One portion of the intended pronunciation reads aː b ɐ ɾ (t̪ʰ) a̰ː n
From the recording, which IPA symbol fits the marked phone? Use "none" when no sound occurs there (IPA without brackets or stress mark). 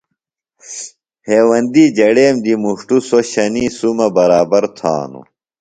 t̪ʰ